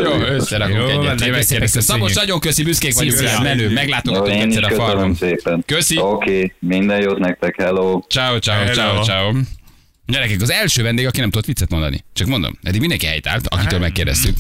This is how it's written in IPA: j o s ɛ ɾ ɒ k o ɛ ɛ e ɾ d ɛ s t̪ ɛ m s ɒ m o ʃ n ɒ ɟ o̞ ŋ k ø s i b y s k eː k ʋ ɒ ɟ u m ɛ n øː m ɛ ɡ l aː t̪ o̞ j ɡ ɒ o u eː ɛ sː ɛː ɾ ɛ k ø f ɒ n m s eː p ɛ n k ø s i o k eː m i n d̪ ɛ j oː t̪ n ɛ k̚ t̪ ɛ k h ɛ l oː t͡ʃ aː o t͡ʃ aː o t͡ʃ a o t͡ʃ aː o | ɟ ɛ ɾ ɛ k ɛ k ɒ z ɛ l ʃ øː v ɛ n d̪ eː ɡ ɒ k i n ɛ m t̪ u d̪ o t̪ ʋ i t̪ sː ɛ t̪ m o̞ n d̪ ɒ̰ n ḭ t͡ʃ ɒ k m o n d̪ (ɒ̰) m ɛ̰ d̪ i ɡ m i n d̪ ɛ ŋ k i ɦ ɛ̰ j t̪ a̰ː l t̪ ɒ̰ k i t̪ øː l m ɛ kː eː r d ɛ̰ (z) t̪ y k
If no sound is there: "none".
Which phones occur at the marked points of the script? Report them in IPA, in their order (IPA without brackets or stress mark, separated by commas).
o̰, s